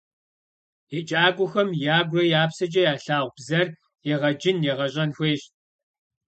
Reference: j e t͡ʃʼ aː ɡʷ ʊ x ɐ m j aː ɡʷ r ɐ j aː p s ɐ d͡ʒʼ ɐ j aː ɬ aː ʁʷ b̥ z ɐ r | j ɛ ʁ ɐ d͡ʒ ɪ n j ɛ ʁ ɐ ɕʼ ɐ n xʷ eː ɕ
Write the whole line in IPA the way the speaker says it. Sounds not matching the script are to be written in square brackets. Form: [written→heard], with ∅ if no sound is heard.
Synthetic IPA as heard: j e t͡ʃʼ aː ɡʷ ʊ x ɐ m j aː ɡʷ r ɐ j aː p s ɐ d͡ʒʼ ɐ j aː ɬ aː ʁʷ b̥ z ɐ r | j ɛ ʁ ɐ d͡ʒ ɪ n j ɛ ʁ ɐ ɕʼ ɐ n xʷ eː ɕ